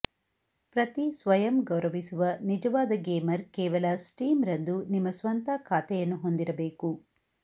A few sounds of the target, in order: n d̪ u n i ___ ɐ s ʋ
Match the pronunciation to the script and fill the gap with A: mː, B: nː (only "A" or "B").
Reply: A